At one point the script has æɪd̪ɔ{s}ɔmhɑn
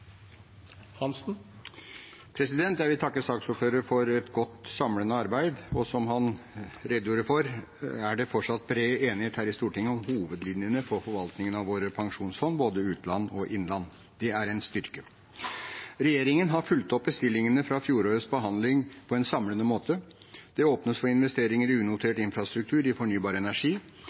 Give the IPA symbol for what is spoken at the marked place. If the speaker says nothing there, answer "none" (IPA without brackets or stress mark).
s